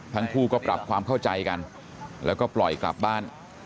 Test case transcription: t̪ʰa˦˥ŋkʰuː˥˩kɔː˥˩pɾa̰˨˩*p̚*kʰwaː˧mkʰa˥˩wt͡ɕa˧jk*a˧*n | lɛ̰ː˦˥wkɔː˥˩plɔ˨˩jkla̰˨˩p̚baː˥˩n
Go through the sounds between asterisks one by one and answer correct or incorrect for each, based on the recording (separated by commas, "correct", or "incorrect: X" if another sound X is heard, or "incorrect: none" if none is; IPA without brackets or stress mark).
correct, correct